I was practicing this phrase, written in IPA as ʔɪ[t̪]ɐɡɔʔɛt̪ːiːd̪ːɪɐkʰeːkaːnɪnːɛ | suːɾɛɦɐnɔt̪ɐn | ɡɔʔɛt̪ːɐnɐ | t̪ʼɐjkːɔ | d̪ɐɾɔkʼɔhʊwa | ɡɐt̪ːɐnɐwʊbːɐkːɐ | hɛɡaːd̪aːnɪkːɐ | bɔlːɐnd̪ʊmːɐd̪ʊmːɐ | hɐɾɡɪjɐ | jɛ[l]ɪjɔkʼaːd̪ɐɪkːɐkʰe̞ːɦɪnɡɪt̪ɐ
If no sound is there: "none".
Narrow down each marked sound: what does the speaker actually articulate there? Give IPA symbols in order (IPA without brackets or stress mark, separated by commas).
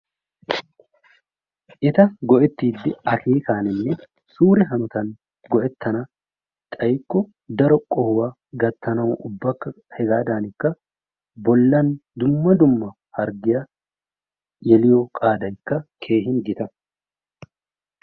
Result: t̪, l